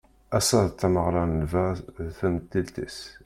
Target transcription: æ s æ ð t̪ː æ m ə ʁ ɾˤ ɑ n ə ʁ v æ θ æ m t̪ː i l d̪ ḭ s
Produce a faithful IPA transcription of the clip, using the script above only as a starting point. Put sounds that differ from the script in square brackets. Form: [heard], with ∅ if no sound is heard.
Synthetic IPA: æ s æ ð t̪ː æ m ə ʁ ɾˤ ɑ n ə [∅] v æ θ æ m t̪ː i l [t̪] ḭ s